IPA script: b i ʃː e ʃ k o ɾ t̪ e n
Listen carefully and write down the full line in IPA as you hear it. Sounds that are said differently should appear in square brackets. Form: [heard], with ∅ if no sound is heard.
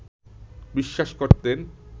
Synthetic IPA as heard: b i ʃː [a] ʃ k o ɾ t̪ e n